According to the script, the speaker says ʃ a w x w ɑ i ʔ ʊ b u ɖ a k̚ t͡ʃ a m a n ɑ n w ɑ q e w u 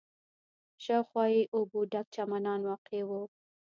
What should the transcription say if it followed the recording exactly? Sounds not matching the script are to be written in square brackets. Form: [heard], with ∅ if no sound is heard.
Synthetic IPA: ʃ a w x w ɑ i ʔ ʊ b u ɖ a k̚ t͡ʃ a m a n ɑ n w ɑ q e w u